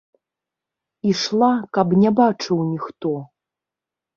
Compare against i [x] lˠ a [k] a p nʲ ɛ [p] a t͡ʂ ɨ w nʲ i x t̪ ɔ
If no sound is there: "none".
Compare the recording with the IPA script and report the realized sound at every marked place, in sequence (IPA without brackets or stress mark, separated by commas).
ʂ, k, b